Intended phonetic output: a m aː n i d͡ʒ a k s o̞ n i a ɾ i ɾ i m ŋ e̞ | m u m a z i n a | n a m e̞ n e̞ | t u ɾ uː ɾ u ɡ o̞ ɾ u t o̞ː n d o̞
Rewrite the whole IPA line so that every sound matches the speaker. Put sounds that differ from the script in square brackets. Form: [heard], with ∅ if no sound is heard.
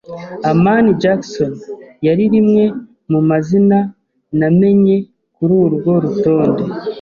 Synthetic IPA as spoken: a m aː n i d͡ʒ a k s o̞ n [j] a ɾ i ɾ i m ŋ e̞ | m u m a z i n a | n a m e̞ [ɲ] e̞ | [k] u ɾ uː ɾ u ɡ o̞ ɾ u t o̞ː n d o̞

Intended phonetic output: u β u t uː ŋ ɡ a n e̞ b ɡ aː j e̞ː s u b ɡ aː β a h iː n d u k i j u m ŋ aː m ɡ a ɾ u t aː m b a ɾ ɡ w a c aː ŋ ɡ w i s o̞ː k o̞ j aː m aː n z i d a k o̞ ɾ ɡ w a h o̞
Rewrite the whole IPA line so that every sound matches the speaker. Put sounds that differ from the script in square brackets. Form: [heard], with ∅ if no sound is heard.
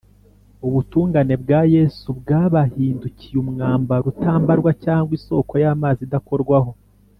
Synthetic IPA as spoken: u β u t uː ŋ ɡ a n e̞ b ɡ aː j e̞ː s u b ɡ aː β a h iː n d u [c] i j u m ŋ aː m [b] a ɾ u t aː m b a ɾ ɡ w a c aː ŋ ɡ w i s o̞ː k o̞ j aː m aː [∅] z i d a k o̞ ɾ ɡ w a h o̞

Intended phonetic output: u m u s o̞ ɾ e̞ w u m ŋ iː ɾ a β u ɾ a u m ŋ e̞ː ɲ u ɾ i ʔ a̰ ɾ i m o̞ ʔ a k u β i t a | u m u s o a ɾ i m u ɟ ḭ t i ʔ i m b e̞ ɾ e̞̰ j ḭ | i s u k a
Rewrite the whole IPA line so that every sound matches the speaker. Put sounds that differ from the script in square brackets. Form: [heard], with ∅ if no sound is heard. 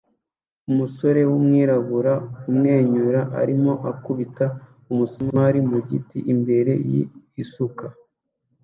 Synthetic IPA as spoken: u m u s o̞ ɾ e̞ w u m ŋ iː ɾ a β u ɾ a u m ŋ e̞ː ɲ u ɾ [a] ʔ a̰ ɾ i m o̞ ʔ a k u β i t a | u m u s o a ɾ i m u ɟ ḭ t i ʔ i m b e̞ ɾ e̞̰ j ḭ | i s u k a

